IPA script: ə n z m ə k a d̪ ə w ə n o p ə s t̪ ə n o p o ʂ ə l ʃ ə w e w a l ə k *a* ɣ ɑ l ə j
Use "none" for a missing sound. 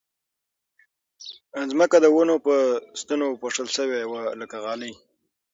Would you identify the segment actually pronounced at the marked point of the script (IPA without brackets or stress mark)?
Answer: a